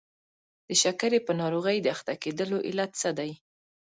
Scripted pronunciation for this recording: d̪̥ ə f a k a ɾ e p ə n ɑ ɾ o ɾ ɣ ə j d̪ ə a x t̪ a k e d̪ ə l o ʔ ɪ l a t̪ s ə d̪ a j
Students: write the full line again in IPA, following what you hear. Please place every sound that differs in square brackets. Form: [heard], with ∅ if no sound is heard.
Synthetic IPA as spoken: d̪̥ ə [ʃ] a k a ɾ e p ə n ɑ ɾ o [∅] ɣ ə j d̪ ə a x t̪ a k e d̪ ə l o ʔ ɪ l a t̪ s ə d̪ a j